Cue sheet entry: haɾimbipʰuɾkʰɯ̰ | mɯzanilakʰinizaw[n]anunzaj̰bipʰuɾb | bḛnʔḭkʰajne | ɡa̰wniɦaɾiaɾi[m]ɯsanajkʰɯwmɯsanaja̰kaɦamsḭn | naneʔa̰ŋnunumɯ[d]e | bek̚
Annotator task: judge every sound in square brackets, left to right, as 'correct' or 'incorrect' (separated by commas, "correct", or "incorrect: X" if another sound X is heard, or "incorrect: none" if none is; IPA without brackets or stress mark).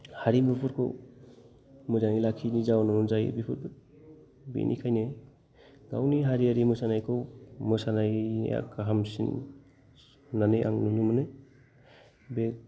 correct, correct, incorrect: n